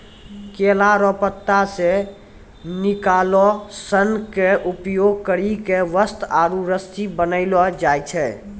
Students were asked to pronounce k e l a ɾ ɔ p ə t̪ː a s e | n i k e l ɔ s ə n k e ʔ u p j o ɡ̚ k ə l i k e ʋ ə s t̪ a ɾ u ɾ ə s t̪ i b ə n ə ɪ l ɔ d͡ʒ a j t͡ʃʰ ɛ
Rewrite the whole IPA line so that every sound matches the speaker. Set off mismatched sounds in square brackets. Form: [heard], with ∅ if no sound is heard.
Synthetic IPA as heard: k e l a ɾ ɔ p ə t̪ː a s e | n i k [a] l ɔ s ə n k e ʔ u p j o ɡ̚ k ə [ɾ] i k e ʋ ə s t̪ a ɾ u ɾ ə s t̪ i b ə n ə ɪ l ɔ d͡ʒ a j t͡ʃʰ ɛ